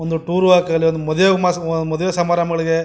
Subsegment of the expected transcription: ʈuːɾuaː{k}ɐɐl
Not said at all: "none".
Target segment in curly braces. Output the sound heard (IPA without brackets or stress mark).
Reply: k